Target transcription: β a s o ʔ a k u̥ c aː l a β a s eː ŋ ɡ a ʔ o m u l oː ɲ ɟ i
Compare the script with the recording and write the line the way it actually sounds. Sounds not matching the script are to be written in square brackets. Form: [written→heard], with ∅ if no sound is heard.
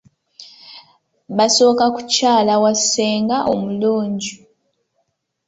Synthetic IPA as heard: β a s o [ʔ→k] a k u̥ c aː l a [β→w] a s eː ŋ ɡ a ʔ o m u l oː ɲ ɟ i